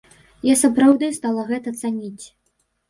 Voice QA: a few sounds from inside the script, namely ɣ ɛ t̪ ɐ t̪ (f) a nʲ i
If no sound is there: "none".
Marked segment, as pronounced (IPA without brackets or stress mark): s